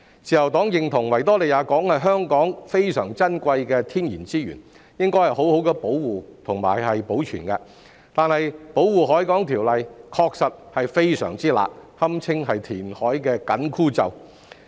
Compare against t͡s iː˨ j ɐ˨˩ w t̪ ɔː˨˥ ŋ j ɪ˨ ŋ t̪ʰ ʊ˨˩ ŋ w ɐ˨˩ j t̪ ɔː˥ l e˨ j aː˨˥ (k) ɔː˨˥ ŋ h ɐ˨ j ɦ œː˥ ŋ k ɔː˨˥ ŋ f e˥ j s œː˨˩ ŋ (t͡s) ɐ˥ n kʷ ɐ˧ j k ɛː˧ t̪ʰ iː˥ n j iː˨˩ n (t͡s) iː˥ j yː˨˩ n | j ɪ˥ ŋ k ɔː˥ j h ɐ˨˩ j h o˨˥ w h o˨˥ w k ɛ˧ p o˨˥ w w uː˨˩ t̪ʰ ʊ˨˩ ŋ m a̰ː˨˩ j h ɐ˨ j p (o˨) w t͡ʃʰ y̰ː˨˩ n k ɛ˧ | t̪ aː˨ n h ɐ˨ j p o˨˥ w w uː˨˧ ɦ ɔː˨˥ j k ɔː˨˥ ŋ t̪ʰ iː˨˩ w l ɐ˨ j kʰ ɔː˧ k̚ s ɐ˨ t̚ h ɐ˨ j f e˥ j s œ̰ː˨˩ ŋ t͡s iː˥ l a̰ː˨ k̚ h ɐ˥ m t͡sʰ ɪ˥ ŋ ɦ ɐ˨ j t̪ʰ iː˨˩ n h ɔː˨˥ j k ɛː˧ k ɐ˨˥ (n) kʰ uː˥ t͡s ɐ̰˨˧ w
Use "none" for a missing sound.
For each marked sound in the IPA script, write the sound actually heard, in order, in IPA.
k, t͡s, t͡s, o˨˥, n

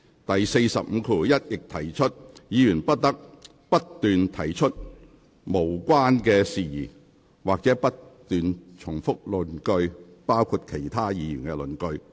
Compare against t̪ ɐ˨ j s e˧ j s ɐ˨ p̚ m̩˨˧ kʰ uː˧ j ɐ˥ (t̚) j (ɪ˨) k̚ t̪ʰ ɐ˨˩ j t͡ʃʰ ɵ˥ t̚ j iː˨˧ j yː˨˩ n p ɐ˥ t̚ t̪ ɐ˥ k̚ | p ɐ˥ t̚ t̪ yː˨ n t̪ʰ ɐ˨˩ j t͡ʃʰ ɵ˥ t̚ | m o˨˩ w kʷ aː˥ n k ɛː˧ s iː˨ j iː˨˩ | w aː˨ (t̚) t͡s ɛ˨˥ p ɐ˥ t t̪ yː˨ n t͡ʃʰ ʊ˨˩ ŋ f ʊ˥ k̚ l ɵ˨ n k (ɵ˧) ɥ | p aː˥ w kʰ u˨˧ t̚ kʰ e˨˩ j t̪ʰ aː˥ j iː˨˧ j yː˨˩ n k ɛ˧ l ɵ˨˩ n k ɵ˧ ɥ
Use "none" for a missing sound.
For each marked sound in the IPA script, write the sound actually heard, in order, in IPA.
t̚, ɪ˨, k̚, ɵ˧

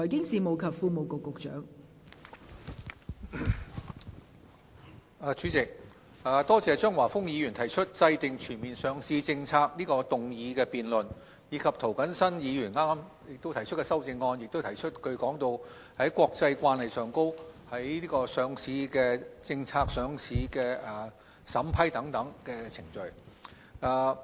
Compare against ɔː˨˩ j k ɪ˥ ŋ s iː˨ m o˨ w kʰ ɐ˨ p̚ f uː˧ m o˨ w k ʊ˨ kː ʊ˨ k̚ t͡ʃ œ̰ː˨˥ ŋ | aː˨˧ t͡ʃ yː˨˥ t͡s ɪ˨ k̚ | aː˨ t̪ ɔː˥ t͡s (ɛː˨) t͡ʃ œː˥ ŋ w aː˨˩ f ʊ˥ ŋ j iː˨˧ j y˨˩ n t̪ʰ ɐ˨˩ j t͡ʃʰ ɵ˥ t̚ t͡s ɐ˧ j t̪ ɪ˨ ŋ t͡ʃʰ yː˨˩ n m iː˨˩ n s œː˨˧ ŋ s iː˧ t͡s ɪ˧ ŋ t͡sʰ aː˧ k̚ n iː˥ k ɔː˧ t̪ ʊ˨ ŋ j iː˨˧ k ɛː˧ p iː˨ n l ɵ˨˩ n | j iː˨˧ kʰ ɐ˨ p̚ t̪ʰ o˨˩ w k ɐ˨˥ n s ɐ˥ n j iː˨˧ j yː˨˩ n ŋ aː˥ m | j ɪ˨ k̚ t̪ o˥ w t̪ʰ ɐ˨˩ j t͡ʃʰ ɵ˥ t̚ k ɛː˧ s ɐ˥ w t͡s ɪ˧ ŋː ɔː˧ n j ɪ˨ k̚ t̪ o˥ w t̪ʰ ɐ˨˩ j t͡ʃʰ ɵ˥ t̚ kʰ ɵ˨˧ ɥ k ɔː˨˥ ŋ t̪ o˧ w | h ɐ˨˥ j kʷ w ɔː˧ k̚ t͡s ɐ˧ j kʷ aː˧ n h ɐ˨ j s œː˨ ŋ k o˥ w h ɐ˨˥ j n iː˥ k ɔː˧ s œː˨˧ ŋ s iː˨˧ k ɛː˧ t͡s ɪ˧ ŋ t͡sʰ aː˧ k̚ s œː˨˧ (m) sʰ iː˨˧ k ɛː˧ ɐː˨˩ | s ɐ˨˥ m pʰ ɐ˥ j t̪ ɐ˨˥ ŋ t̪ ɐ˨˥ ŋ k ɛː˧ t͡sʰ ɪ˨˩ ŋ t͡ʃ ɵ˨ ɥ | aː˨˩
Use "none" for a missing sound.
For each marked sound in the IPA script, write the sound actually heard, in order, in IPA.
ɛː˨, ŋ

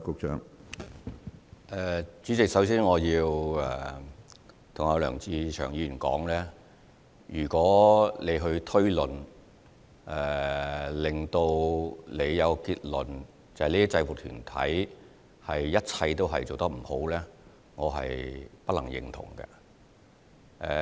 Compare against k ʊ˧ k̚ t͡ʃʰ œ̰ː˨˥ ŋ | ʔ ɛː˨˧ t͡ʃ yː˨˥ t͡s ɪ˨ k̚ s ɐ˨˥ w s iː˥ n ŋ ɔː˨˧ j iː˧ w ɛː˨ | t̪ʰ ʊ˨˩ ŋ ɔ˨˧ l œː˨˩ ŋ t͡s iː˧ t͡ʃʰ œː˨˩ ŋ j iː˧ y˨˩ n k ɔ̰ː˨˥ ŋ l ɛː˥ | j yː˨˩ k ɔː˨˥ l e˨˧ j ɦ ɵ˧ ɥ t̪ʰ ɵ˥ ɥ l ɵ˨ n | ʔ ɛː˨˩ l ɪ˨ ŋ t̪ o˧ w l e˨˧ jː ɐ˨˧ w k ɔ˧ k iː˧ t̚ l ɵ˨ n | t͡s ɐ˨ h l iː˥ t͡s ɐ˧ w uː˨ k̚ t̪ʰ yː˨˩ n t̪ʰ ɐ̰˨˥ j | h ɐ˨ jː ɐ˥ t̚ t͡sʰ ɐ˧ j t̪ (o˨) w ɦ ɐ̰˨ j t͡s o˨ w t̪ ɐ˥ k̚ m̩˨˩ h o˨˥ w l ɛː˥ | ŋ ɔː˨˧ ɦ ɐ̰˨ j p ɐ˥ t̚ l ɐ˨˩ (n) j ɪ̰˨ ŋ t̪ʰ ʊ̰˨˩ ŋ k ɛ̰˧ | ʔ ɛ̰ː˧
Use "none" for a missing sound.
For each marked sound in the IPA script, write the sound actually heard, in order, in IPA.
o˥, ŋ

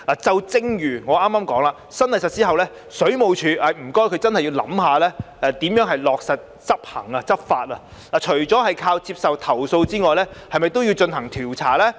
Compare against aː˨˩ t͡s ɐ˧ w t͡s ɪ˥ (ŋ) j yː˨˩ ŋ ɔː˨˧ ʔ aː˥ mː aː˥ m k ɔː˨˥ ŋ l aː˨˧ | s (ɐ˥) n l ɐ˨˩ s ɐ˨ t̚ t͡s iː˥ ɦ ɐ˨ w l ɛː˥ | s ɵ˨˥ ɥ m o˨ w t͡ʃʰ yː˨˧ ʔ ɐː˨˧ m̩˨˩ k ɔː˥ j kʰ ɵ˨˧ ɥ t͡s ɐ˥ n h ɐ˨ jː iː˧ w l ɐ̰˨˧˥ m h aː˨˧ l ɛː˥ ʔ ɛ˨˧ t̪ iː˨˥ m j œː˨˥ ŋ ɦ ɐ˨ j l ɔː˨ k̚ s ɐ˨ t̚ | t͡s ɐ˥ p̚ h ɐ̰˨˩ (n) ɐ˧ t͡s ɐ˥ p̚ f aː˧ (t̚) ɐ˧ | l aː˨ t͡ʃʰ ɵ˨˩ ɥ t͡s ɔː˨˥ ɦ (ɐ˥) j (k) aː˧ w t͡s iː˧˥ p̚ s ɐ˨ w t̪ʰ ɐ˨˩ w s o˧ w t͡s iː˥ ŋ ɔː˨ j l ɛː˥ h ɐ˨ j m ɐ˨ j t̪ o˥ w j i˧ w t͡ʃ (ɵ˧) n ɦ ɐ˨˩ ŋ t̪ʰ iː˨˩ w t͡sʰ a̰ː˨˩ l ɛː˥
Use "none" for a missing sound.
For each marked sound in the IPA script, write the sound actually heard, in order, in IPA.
ŋ, ɐ˥, ŋ, t̚, ɐ˨, kʰ, ɵ˧

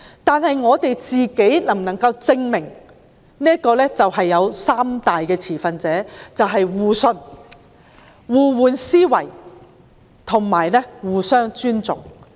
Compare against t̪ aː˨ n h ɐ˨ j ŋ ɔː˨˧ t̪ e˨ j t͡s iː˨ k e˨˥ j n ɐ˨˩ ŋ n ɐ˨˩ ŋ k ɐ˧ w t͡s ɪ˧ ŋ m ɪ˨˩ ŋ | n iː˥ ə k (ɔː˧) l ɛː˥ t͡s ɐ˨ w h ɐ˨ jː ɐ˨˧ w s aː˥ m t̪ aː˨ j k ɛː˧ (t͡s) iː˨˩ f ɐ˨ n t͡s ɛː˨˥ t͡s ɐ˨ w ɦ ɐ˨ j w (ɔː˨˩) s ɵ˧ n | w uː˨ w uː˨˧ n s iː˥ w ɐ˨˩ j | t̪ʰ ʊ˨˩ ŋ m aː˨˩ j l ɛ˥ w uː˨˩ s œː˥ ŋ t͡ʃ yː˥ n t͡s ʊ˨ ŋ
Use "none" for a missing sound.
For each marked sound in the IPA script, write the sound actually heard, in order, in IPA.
ɔː˧, t͡sʰ, uː˨˩

